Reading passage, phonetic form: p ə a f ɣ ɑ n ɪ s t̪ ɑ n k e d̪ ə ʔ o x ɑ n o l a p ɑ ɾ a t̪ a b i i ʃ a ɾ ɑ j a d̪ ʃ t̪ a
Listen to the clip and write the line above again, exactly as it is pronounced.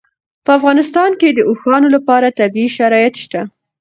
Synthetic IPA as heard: p ə a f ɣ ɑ n ɪ s t̪ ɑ n k e d̪ ə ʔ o x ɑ n o l a p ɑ ɾ a t̪ a b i i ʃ a ɾ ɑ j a t̪ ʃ t̪ a

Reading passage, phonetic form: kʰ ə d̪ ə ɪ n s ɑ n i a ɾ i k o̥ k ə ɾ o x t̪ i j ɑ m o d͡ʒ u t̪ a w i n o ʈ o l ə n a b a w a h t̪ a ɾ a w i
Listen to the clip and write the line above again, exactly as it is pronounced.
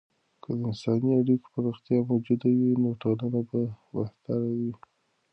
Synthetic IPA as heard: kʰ ə d̪ ə ɪ n s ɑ n i a ɽ i k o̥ p ə ɾ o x t̪ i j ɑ m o d͡ʒ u d̪ a w i n o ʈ o l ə n a b a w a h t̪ a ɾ a w i

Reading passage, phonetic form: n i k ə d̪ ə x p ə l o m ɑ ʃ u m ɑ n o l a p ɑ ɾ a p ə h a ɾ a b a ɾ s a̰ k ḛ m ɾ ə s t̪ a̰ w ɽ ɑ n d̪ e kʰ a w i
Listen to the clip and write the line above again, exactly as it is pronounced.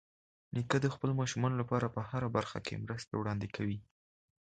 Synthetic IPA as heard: n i k ə d̪ ə x p ə l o m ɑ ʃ u m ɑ n o l a p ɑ ɾ a p ə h a ɾ a b a ɾ x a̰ k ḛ m ɾ ə s t̪ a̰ w ɽ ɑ n d̪ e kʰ a w i

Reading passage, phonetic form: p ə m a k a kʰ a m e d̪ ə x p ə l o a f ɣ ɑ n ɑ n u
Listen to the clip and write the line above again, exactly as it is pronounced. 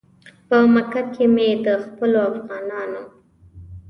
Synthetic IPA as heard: p ə m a k a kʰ e m e d̪ ə x p ə l o a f ɣ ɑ n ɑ n o

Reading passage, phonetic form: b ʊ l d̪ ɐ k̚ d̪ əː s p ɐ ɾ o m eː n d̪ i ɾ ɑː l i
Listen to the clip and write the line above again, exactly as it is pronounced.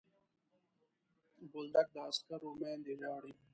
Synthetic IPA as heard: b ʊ l d̪ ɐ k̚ d̪ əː s k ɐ ɾ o m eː n d̪ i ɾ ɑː ɽ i

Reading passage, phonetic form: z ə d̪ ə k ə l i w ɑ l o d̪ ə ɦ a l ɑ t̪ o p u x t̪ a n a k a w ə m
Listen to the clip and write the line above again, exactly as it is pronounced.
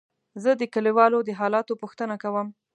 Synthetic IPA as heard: z ə d̪ ə k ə l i w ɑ l o d̪ ə ɦ ɑ l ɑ t̪ o p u x t̪ ə n a k a w ə m

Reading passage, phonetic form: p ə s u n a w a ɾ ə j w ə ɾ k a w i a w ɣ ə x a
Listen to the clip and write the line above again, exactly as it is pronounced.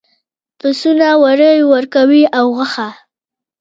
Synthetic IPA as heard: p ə s u n a w a ɾ ə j w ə ɾ k a w i a w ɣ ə x a

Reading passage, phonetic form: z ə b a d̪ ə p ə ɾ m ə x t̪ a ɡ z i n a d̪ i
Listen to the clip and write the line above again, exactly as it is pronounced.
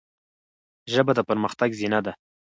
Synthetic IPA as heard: ʒ ə b a d̪ ə p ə ɾ m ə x t̪ a ɡ z i n a d̪ a

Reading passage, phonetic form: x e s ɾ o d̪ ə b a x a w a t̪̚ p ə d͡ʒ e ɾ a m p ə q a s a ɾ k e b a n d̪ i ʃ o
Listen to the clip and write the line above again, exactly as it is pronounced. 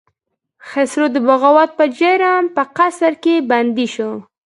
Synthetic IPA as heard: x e s ɾ o d̪ ə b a ɣ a w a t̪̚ p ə d͡ʒ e ɾ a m p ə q a s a ɾ k e b a n d̪ i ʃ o

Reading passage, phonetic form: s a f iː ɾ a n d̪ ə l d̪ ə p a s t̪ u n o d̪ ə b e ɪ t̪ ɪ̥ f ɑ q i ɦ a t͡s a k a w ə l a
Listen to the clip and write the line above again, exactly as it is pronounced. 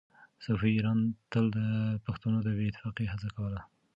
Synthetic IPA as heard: s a f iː ɾ ɑ n t̪ ə l d̪ ə p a x t̪ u n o d̪ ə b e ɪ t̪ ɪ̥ f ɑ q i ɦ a t͡s a k a w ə l a

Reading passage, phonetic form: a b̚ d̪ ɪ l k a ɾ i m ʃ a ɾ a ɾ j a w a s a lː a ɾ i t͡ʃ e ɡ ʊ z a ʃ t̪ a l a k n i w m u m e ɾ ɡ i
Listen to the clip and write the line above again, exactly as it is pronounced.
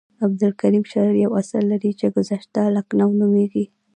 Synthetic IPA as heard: a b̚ d̪ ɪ l k a ɾ i m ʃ a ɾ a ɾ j a w a s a lː a ɾ i t͡ʃ e ɡ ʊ z a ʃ t̪ a l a k n a w n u m e ɡ i

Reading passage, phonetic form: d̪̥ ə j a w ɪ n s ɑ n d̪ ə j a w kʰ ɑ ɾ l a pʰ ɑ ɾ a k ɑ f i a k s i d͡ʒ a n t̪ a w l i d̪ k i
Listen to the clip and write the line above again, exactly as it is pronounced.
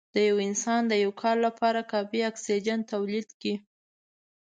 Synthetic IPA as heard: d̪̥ ə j a w ɪ n s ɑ n d̪ ə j a w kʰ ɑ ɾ l a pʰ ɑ ɾ a k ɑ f i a k s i d͡ʒ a n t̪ a w l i d̪ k i

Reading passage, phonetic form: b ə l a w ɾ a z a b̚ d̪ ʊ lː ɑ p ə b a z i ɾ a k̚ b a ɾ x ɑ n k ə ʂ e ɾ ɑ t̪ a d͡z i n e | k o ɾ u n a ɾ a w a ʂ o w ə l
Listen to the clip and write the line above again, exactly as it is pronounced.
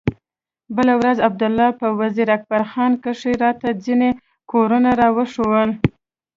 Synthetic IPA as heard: b ə l a w ɾ a z a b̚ d̪ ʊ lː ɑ p ə w a z i ɾ a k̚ b a ɾ x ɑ n k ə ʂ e ɾ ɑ t̪ a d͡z i n e | k o ɾ u n a ɾ ɑ w ə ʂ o w ə l

